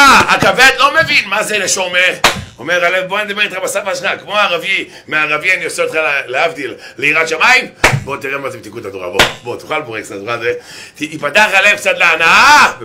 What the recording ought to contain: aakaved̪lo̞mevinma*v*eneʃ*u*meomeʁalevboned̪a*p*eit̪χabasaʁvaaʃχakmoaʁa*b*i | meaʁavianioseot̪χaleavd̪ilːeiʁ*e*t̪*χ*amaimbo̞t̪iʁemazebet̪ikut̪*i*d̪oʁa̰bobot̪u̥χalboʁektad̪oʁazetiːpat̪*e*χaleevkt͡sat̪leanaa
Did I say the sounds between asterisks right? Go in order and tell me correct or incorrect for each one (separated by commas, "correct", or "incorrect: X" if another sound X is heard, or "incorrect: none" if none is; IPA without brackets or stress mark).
incorrect: z, incorrect: o, incorrect: b, incorrect: v, incorrect: a, incorrect: ʃ, incorrect: a, incorrect: a